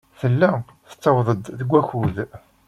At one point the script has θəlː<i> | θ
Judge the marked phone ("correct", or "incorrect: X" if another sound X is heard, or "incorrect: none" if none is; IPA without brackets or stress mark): incorrect: æ